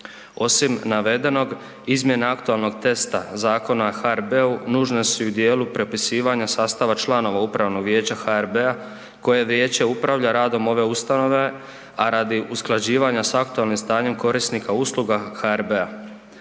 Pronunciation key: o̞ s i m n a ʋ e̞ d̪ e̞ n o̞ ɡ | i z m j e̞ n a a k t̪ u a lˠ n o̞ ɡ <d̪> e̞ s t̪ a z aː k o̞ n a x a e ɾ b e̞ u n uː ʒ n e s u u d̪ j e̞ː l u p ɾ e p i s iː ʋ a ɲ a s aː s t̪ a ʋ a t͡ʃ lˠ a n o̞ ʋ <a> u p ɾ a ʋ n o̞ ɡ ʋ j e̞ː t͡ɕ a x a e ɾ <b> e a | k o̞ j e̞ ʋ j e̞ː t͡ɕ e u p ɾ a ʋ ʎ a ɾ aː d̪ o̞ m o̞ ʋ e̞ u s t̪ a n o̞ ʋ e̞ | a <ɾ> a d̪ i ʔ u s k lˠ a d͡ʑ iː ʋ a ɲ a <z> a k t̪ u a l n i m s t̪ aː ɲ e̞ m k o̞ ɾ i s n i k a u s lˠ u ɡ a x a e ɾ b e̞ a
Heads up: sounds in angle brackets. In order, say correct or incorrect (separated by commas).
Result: incorrect, correct, correct, correct, incorrect